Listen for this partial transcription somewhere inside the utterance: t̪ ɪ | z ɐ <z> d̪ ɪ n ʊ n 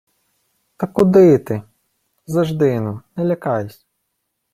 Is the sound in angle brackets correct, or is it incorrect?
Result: incorrect